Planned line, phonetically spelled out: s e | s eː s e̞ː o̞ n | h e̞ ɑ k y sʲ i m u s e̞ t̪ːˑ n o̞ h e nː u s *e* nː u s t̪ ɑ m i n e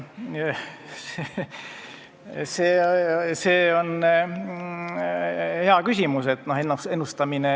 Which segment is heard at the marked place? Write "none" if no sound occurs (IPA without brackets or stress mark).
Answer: e